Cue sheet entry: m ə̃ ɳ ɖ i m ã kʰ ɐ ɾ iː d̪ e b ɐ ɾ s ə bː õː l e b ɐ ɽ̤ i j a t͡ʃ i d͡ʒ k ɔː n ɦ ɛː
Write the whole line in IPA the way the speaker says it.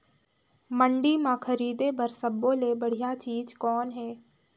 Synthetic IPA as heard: m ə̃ ɳ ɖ i m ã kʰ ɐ ɾ iː d̪ e b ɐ ɾ s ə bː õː l e b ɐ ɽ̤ i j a t͡ʃ iː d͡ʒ k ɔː n ɦ ɛː

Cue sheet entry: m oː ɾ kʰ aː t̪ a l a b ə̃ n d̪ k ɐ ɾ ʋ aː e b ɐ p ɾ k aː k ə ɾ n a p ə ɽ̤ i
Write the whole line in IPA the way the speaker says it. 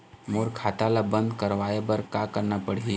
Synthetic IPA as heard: m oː ɾ kʰ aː t̪ a l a b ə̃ n d̪ k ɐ ɾ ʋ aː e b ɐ ɾ k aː k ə ɾ n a p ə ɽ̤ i

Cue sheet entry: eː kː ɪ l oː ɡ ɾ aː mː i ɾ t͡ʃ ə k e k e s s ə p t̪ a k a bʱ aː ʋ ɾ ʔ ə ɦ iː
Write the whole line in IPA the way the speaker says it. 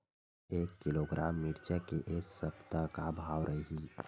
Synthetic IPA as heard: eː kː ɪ l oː ɡ ɾ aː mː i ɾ t͡ʃ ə k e ʔ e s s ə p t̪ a k a bʱ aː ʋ ɾ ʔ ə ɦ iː

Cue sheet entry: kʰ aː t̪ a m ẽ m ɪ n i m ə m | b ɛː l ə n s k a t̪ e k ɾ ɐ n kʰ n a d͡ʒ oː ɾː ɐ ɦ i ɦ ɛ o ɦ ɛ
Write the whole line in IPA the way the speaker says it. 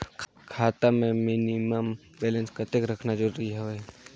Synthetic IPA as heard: kʰ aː t̪ a m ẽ m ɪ n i m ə m | b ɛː l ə n s k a t̪ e k ɾ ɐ kʰ n a d͡ʒ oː ɾ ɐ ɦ i ɦ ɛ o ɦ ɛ

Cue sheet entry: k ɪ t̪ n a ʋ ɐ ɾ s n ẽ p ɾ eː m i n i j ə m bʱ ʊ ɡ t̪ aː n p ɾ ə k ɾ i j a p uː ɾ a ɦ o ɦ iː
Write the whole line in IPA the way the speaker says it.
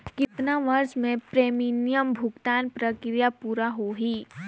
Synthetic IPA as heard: k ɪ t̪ n a ʋ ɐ ɾ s m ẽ p ɾ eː m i n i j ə m bʱ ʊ ɡ t̪ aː n p ɾ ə k ɾ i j a p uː ɾ a ɦ o ɦ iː

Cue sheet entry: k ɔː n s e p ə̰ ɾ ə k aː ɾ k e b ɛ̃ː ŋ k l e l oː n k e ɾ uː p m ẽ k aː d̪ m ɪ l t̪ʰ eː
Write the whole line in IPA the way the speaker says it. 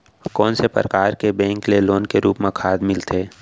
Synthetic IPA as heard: k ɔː n s e p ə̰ ɾ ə k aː ɾ k e b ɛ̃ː ŋ k l e l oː n k e ɾ uː p m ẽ kʰ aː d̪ m ɪ l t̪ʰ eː

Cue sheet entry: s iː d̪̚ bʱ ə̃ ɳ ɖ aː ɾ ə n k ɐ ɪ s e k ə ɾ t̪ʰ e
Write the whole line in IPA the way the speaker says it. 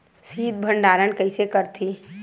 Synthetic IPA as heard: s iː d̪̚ bʱ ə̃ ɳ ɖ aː ɾ ə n k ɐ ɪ s e k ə ɾ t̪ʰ i

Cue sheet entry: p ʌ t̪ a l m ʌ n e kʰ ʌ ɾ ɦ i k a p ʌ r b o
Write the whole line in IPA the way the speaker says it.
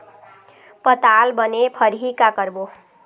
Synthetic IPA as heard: p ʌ t̪ a l b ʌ n e pʰ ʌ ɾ ɦ i k a k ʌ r b o

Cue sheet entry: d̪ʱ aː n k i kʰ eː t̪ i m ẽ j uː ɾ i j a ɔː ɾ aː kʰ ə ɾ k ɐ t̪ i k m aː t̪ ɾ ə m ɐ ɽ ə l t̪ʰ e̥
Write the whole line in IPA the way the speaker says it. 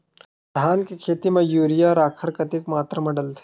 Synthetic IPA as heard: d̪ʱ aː n k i kʰ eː t̪ i m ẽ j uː ɾ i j a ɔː ɾ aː kʰ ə ɾ k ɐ t̪ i k m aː t̪ ɾ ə m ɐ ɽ ə l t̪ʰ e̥

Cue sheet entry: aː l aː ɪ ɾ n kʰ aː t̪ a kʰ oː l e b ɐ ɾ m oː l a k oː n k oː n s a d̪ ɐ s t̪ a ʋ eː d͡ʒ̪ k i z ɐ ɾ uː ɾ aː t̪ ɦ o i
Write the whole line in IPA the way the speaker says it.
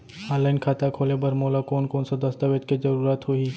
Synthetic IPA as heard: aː l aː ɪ n kʰ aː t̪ a kʰ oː l e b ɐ ɾ m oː l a k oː n k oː n s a d̪ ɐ s t̪ a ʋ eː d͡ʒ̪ k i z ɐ ɾ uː ɾ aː t̪ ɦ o i

